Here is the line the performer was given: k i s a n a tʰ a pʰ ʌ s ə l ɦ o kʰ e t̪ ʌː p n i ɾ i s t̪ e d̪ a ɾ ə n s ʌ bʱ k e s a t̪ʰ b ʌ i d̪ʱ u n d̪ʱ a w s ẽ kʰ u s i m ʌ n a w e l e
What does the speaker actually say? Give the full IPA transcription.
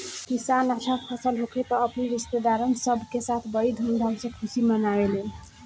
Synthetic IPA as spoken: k i s a n a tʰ a pʰ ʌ s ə l ɦ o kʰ e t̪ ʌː p n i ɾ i s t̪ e d̪ a ɾ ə n s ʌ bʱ k e s a t̪ʰ b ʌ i d̪ʱ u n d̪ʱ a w s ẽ kʰ u s i m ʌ n a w e l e